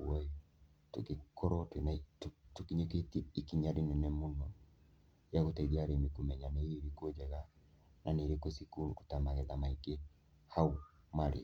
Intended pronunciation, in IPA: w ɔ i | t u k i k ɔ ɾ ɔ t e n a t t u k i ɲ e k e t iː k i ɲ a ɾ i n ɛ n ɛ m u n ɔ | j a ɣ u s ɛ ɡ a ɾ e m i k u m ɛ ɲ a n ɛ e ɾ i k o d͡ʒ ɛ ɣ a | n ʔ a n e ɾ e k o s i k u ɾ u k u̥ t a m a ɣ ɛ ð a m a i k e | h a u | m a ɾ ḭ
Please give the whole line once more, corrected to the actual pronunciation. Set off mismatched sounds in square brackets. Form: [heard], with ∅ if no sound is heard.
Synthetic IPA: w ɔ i | t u k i k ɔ ɾ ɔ t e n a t t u k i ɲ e k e t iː k i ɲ a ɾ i n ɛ n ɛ m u n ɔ | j a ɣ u [t] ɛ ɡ a ɾ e m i k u m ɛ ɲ a n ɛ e ɾ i k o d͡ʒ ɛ ɣ a | n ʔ a n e ɾ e k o s i k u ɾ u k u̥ t a m a ɣ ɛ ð a m a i k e | h a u | m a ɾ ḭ